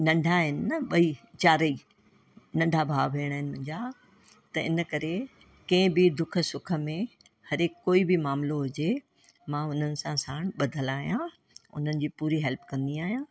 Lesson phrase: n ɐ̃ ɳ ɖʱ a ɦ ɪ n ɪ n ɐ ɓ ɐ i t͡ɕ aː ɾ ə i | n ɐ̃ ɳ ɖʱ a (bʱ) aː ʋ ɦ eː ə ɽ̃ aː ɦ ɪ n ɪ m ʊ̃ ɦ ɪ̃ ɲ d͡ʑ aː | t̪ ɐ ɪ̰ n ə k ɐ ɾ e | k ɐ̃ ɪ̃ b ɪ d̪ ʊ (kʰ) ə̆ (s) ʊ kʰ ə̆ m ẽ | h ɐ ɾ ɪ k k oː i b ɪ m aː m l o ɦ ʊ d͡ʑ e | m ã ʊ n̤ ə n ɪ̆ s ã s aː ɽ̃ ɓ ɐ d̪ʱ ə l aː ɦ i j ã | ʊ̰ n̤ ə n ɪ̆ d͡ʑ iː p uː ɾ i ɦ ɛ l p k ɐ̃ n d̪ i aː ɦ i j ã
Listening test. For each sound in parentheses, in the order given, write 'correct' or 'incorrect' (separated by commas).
correct, correct, correct